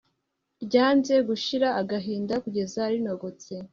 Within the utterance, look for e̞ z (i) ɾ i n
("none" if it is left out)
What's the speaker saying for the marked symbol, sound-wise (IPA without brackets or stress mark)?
a